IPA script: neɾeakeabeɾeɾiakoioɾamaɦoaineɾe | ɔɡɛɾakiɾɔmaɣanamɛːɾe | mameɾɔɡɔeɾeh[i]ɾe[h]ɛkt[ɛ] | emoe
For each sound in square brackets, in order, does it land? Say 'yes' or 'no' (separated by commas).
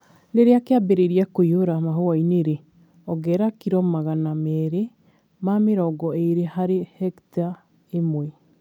no, yes, no